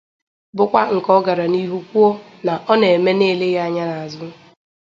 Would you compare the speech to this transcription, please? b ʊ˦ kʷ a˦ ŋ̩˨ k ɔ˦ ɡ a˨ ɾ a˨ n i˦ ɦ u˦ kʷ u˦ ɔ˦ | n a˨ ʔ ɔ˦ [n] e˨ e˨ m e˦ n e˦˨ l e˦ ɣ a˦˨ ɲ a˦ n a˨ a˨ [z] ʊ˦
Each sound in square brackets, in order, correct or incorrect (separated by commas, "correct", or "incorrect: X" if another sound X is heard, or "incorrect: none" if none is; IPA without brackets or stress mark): correct, correct